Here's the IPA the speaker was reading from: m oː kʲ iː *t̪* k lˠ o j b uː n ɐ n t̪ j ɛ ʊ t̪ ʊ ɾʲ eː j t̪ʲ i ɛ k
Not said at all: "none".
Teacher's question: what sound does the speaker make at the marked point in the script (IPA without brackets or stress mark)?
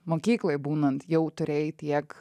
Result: none